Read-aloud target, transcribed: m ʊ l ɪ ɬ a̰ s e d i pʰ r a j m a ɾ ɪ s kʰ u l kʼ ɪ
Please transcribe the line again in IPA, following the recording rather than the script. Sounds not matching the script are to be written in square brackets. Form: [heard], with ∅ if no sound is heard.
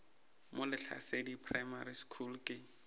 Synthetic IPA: m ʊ l ɪ ɬ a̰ s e d i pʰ r a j m a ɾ [i] s kʰ u l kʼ ɪ

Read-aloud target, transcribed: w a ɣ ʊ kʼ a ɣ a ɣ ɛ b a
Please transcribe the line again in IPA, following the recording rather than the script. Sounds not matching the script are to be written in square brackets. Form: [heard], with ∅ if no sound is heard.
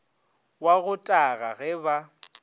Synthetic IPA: w a ɣ ʊ [tʼ] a ɣ a ɣ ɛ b a

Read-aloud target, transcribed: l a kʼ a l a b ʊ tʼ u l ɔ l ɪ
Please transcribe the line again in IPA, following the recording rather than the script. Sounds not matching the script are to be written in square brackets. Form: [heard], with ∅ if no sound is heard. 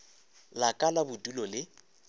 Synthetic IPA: l a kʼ a l a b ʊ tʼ u l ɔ l ɪ

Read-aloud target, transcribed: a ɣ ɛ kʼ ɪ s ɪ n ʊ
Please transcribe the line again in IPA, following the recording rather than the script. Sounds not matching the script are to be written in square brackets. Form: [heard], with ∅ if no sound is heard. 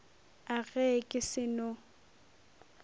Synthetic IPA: a ɣ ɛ kʼ ɪ s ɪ n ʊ

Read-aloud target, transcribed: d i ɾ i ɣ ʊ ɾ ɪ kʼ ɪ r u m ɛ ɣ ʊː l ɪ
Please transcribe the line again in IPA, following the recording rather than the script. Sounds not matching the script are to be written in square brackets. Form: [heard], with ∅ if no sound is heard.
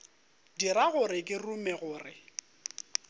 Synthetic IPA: d i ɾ [a] ɣ ʊ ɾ ɪ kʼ ɪ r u m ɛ ɣ ʊː [r] ɪ

